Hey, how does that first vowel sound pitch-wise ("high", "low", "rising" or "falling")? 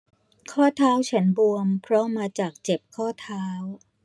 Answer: falling